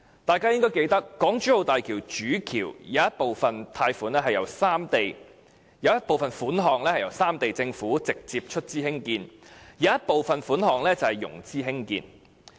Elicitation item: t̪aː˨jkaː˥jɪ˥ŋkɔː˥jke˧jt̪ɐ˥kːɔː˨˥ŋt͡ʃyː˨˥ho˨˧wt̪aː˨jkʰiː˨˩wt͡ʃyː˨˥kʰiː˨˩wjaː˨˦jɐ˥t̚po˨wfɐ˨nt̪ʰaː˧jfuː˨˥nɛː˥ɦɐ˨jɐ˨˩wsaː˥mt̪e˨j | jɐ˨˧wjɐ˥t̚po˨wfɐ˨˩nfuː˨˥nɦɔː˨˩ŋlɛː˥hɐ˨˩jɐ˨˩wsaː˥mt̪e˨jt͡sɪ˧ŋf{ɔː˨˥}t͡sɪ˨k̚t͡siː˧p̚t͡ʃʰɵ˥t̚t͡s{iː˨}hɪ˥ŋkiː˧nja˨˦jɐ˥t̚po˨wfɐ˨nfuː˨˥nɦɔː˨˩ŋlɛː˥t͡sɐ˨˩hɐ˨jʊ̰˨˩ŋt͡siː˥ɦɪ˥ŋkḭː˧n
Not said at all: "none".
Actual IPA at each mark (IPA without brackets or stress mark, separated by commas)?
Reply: uː˨˥, iː˥